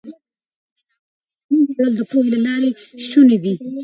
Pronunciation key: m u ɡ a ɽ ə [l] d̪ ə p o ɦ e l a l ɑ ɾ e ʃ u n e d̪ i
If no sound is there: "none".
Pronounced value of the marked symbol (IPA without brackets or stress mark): l